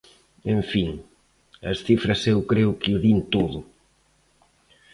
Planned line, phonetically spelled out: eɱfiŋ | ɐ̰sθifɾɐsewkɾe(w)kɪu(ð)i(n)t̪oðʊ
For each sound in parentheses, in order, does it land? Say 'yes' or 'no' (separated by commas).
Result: yes, yes, yes